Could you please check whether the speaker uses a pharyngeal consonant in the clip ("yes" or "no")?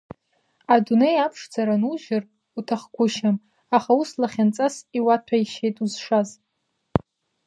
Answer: no